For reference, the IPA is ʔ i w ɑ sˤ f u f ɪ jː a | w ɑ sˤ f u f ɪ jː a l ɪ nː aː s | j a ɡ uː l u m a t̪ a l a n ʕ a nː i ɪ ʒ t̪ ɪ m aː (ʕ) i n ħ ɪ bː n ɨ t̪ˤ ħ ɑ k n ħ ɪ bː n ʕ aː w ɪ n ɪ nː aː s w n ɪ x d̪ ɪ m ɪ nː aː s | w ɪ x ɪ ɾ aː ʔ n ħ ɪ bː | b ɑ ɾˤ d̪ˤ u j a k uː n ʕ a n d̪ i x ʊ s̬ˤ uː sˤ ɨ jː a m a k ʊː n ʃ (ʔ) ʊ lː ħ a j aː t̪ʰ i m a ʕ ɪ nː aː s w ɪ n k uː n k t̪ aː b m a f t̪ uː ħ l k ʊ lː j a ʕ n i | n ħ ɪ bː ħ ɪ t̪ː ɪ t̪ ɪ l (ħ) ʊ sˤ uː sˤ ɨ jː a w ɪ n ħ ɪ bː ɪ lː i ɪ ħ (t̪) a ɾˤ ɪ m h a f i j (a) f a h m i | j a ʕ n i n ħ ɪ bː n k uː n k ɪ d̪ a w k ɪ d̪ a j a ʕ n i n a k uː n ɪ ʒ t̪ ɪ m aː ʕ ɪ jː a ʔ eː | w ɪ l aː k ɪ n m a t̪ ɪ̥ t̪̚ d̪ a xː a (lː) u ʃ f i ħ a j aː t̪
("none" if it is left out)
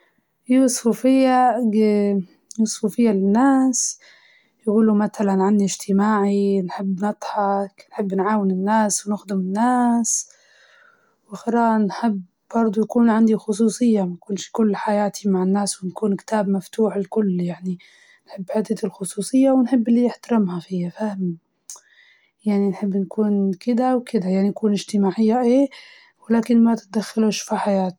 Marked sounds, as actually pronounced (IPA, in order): ʕ, k, x, t̪, a, l

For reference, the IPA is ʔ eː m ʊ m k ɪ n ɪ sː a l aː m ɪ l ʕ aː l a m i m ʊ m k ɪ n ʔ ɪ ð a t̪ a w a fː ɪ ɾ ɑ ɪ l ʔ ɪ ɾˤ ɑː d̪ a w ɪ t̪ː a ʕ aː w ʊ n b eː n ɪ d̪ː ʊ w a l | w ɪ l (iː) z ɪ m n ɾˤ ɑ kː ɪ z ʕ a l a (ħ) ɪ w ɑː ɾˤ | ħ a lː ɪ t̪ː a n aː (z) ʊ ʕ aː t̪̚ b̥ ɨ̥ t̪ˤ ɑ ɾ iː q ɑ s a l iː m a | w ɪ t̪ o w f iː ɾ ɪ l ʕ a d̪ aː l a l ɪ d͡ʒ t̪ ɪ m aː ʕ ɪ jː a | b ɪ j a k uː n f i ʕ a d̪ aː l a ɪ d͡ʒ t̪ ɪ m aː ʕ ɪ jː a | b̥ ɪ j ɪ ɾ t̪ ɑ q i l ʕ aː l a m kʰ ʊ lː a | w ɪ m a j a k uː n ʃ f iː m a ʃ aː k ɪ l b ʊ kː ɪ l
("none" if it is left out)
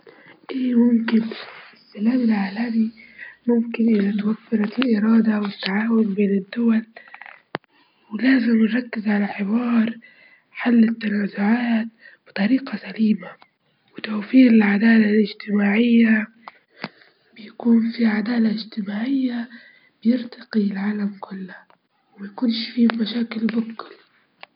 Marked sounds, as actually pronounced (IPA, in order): aː, ħ, z

